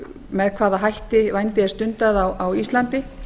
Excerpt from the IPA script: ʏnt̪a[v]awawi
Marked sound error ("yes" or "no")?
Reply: yes